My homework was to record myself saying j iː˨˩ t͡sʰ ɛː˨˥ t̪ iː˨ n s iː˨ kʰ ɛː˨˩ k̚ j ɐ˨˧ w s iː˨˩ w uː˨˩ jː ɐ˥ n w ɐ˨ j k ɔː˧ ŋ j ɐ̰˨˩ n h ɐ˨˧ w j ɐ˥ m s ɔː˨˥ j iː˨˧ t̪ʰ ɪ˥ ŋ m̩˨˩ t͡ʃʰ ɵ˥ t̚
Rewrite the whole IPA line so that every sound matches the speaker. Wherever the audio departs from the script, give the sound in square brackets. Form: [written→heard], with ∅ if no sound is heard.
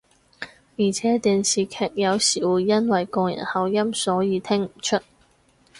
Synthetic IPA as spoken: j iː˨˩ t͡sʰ ɛː˨˥ t̪ iː˨ n s iː˨ kʰ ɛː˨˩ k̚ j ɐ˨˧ w s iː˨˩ w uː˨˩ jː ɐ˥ n w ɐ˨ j k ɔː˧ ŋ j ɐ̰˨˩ n h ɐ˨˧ w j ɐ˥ m s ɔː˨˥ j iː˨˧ t̪ʰ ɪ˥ ŋ m̩˨˩ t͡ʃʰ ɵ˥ t̚